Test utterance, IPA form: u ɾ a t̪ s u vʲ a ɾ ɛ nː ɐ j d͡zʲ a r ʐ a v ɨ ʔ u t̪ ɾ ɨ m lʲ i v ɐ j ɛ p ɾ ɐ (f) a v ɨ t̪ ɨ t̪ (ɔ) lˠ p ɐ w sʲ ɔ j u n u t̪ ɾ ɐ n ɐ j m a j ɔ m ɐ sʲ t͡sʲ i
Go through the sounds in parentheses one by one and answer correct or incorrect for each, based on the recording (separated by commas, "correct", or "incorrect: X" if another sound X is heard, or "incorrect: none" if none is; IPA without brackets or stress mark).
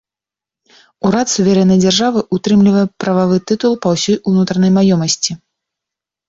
incorrect: v, incorrect: u